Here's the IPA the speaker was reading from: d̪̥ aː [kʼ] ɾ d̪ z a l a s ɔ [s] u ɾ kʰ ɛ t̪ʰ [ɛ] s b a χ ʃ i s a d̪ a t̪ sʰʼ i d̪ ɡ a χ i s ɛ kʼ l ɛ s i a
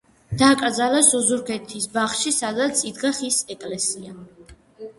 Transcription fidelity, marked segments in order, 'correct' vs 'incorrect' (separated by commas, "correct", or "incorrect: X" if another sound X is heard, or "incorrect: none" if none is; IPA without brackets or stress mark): correct, incorrect: z, incorrect: i